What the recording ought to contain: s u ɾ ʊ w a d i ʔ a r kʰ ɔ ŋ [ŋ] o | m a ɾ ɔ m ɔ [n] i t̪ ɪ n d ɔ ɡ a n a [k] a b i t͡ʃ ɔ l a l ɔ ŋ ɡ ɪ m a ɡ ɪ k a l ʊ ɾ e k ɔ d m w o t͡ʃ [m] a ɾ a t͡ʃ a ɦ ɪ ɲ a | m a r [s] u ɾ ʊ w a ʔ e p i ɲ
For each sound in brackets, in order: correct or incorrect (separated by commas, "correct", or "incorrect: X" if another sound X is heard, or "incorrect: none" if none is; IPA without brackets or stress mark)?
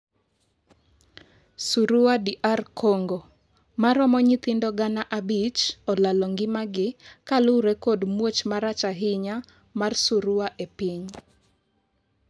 incorrect: ɡ, incorrect: ɲ, incorrect: ʔ, correct, correct